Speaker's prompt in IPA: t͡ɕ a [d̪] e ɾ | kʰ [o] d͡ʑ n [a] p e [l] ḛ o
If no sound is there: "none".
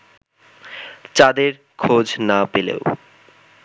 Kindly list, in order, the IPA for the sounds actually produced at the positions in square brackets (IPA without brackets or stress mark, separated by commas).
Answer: d̪, o, a, l